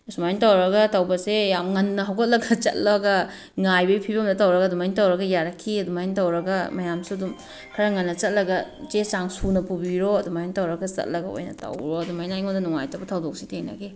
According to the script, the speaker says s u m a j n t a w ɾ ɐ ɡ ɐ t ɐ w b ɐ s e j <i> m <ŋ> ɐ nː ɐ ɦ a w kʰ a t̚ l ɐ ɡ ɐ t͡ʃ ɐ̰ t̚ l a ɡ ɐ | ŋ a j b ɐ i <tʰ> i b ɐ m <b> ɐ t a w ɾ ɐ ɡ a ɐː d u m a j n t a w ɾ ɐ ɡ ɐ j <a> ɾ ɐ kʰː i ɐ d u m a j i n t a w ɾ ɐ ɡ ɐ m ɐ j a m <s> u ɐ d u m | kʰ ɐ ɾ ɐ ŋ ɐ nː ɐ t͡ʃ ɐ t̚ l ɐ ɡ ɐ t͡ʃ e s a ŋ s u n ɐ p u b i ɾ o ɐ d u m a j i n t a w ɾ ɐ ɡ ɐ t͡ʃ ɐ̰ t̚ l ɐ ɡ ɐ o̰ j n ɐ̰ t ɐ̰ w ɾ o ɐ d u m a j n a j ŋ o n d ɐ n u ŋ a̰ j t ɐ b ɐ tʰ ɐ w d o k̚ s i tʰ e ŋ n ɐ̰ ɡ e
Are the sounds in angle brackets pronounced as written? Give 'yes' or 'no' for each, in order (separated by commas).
no, yes, no, no, yes, yes